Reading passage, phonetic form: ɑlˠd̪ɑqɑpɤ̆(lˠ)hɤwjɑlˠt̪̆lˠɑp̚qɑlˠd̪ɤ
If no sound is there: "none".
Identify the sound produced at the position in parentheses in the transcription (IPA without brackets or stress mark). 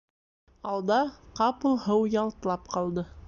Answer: lˠ